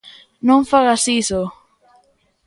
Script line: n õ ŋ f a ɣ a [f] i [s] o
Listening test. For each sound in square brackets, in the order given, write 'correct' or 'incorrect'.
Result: incorrect, correct

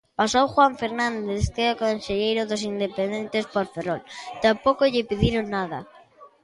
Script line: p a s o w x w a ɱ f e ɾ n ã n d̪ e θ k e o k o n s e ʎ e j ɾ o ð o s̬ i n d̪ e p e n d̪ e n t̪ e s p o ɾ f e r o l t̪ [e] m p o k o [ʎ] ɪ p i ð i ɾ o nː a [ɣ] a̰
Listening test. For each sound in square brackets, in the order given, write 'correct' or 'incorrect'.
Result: incorrect, correct, incorrect

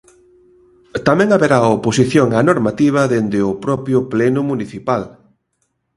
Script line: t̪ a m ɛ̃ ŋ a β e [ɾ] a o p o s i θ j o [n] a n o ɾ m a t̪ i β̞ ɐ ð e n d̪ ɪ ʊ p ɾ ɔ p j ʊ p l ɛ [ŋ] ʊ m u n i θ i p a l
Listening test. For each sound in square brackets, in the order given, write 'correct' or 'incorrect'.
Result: correct, incorrect, incorrect

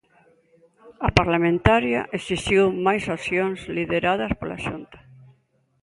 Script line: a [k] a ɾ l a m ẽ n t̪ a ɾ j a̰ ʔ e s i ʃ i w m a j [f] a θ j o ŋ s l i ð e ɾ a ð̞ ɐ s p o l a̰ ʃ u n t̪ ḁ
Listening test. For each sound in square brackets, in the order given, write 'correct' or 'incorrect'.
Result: incorrect, incorrect

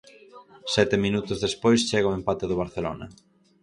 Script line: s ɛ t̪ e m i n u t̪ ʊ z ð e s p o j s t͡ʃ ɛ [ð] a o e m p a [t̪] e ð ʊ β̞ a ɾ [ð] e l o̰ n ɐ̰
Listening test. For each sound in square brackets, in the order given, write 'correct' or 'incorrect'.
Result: incorrect, correct, incorrect

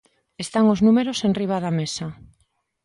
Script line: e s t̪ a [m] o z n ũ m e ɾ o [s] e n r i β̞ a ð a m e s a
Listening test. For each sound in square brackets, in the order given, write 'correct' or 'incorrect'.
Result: incorrect, correct

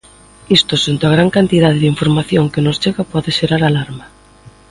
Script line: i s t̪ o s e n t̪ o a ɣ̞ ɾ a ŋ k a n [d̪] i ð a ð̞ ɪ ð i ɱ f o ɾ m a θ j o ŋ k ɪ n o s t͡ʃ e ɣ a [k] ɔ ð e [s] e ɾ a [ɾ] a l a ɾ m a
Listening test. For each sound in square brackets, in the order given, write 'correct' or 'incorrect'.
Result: incorrect, incorrect, incorrect, correct

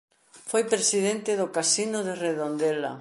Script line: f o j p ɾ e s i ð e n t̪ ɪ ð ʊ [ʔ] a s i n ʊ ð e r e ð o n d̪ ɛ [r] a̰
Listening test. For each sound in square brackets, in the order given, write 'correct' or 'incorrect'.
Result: incorrect, incorrect

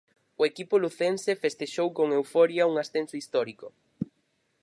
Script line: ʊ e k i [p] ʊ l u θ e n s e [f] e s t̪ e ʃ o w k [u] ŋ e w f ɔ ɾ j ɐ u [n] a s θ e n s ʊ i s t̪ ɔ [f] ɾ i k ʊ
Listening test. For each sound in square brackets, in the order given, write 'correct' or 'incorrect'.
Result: correct, correct, incorrect, incorrect, incorrect

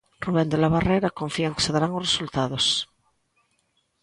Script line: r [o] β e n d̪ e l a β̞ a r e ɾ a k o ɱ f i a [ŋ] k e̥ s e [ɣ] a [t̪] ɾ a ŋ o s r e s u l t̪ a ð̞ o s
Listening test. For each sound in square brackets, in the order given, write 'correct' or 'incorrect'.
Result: incorrect, correct, incorrect, incorrect

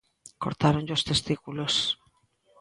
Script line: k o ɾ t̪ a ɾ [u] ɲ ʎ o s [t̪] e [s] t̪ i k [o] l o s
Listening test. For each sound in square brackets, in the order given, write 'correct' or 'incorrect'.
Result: incorrect, correct, correct, incorrect

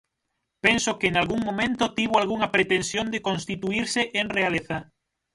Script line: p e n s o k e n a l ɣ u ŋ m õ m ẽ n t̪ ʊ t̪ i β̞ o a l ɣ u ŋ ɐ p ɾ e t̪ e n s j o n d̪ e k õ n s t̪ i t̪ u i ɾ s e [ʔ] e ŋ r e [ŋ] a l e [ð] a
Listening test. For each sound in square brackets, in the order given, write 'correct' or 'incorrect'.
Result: correct, incorrect, incorrect

